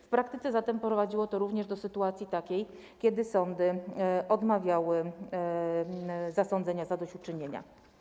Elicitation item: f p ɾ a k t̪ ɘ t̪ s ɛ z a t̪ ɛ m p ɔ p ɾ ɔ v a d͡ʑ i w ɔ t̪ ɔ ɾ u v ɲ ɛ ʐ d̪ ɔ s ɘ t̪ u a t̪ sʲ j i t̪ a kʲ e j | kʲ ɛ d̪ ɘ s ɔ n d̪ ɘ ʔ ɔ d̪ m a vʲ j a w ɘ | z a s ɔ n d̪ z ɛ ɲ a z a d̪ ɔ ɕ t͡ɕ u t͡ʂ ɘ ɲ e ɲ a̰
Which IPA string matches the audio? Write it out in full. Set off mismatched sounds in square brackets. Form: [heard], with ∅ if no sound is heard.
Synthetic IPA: f p ɾ a k t̪ ɘ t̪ s ɛ z a t̪ ɛ m p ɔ p ɾ ɔ v a d͡ʑ i w ɔ t̪ ɔ ɾ u v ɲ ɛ ʐ d̪ ɔ s ɘ t̪ u a t̪ sʲ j i t̪ a kʲ e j | kʲ ɛ d̪ ɘ s ɔ n d̪ ɘ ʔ ɔ d̪ m a vʲ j a w ɘ | z a s ɔ n d̪ z ɛ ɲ a z a d̪ ɔ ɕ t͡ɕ u t͡ʂ ɘ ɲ e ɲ a̰